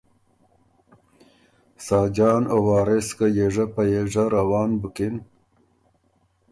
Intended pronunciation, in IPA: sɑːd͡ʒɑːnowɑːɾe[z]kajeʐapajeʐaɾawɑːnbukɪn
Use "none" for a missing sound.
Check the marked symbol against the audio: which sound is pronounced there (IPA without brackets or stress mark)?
s